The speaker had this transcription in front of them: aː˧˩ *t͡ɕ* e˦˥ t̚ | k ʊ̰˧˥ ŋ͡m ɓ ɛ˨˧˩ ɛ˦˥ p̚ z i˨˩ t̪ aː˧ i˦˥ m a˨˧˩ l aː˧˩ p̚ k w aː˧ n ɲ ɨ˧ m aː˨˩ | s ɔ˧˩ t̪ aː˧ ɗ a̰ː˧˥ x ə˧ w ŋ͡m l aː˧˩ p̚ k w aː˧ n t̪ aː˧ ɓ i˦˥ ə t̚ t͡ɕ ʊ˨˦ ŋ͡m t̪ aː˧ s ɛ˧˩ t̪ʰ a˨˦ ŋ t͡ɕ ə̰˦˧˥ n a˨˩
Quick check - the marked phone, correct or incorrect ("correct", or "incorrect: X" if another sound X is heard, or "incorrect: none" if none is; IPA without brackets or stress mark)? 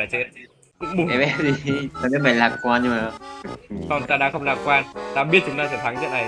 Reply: correct